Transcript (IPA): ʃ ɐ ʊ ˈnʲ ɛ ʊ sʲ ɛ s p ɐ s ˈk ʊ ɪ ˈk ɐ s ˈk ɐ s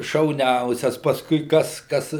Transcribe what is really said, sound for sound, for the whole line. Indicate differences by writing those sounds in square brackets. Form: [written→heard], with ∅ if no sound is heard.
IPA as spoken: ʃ ɐ ʊ ˈnʲ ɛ ʊ sʲ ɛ s p ɐ s ˈk ʊ ɪ ˈk ɐ s ˈk ɐ s